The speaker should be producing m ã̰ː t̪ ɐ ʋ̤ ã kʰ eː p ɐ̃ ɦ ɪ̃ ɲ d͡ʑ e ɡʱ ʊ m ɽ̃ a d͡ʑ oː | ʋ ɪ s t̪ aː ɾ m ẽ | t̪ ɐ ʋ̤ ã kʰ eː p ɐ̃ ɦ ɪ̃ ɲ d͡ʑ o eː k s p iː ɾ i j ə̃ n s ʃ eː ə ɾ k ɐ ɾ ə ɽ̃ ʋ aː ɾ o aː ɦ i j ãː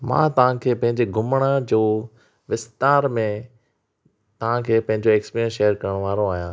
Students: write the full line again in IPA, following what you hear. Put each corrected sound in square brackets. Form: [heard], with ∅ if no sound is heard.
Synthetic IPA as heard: m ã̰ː t̪ ɐ ʋ̤ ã kʰ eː p ɐ̃ ɦ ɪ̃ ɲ d͡ʑ e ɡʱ ʊ m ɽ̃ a d͡ʑ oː | ʋ ɪ s t̪ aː ɾ m ẽ | t̪ ɐ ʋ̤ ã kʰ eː p ɐ̃ ɦ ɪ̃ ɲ d͡ʑ o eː k s p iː ɾ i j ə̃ n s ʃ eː ə ɾ k ɐ ɾ ə ɽ̃ ʋ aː ɾ o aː ɦ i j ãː